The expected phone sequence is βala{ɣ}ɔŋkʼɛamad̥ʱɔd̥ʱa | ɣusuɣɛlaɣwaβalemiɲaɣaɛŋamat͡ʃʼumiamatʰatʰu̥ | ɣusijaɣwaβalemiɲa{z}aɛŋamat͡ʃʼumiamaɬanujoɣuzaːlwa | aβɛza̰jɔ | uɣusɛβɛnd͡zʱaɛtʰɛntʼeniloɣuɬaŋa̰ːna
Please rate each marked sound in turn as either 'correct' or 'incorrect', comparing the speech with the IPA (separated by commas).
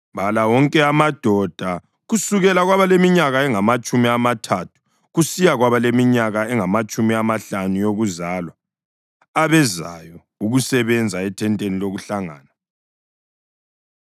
incorrect, incorrect